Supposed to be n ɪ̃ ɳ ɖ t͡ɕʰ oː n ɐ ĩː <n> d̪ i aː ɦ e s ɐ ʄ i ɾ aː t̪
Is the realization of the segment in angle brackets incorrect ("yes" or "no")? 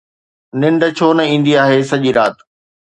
no